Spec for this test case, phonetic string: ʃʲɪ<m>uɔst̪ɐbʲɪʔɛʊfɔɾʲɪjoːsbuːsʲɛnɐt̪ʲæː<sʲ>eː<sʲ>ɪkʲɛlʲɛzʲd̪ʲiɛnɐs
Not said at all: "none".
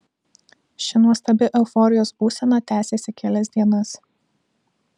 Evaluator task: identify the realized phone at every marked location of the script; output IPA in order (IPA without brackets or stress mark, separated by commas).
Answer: n, sʲ, sʲ